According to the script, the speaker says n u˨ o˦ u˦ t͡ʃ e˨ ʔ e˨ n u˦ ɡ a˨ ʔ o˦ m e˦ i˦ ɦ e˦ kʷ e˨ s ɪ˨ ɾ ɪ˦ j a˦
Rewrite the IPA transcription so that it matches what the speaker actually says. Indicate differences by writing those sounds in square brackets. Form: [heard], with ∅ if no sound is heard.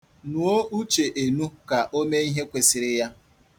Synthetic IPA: n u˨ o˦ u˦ t͡ʃ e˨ ʔ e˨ n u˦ [k] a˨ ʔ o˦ m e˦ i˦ ɦ e˦ kʷ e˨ s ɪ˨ ɾ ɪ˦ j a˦